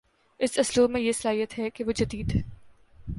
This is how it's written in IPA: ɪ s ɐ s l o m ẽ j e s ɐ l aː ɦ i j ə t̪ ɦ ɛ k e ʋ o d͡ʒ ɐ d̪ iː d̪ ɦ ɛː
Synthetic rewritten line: ɪ s ɐ s l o m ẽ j e s ɐ l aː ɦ i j ə t̪ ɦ ɛ k e ʋ o d͡ʒ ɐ d̪ iː d̪ ɦ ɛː

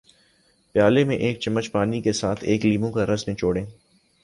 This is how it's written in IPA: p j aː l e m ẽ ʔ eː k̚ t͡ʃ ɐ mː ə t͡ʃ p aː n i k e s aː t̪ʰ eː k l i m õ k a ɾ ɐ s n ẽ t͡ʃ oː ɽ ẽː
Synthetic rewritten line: p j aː l e m ẽ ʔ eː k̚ t͡ʃ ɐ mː ə t͡ʃ p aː n i k e s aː t̪ʰ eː k l iː m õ k a ɾ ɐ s n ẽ t͡ʃ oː ɽ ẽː

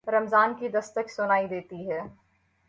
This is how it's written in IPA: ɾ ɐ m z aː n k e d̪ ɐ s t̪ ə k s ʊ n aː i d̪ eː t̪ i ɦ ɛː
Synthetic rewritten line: ɾ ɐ m z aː n k i d̪ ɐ s t̪ ə k s ʊ n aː i d̪ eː t̪ i ɦ ɛː

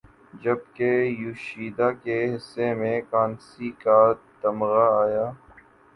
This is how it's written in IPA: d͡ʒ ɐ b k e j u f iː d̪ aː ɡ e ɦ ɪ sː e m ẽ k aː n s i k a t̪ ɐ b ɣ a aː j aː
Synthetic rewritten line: d͡ʒ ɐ b k e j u ʃ iː d̪ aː k e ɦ ɪ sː e m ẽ k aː n s i k a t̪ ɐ m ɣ a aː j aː

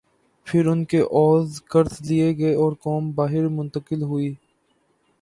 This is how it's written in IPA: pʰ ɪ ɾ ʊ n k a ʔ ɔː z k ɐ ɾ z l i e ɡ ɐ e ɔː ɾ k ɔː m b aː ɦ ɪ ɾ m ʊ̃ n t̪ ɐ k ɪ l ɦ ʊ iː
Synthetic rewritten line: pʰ ɪ ɾ ʊ n k e ʔ ɔː z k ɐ ɾ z l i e ɡ ɐ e ɔː ɾ k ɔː m b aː ɦ ɪ ɾ m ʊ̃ n t̪ ə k ɪ l ɦ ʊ iː

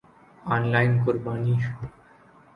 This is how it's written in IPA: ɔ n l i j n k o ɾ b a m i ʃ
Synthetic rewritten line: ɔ n l a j n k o ɾ b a n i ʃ

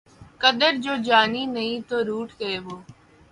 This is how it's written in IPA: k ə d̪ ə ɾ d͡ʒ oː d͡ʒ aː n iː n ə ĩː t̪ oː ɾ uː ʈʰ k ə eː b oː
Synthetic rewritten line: k ə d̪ ə ɾ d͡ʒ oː d͡ʒ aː n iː n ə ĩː t̪ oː ɾ uː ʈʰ k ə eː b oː

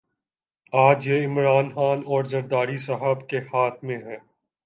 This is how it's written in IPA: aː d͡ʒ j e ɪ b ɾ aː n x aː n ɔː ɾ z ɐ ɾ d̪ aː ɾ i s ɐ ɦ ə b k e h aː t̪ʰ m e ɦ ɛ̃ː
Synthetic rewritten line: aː d͡ʒ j e ɪ m ɾ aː n x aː n ɔː ɾ z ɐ ɾ d̪ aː ɾ i s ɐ ɦ ə b k e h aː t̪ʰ m ẽ ɦ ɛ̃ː

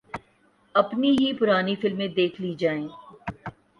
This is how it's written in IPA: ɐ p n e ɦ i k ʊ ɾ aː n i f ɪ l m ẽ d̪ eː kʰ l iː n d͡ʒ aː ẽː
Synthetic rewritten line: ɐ p n i ɦ i p ʊ ɾ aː n i f ɪ l m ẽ d̪ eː kʰ l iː d͡ʒ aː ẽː

